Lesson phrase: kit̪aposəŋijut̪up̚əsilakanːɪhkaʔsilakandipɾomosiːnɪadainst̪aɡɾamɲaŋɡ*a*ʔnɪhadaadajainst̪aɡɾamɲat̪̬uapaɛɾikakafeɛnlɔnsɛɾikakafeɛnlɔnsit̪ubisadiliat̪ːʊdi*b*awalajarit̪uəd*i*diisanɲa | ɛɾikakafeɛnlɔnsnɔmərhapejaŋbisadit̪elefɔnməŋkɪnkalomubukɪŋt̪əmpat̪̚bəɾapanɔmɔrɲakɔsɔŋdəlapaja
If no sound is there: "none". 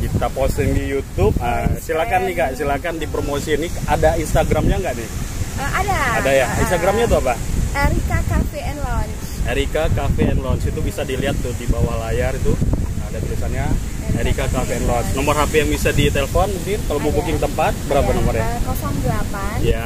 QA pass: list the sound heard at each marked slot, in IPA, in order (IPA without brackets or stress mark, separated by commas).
a, b, a